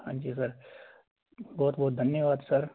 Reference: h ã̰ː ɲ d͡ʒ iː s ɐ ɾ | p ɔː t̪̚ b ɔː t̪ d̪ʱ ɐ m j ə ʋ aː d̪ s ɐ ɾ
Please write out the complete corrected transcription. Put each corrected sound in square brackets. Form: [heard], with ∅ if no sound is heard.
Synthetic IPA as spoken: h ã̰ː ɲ d͡ʒ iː s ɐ ɾ | [b] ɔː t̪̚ b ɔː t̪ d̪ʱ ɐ [n] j ə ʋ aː d̪ s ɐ ɾ